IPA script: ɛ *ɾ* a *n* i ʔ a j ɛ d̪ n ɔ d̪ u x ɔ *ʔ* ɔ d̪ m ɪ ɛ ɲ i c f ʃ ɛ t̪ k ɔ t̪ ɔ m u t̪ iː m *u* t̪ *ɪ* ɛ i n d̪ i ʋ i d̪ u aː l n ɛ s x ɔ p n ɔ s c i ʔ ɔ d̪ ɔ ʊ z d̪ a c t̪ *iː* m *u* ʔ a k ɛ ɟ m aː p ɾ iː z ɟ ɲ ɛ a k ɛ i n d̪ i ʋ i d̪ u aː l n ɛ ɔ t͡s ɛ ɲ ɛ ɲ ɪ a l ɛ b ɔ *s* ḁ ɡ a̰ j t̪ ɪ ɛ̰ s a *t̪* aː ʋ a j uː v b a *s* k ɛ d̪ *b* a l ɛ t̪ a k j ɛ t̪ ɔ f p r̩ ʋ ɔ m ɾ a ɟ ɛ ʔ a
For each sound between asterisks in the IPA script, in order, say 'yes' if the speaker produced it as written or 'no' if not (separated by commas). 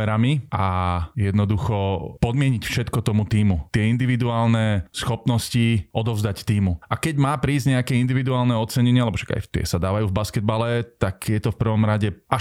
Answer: yes, no, no, yes, yes, yes, yes, no, no, yes, yes